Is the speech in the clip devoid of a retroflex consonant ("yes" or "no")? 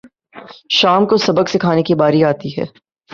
yes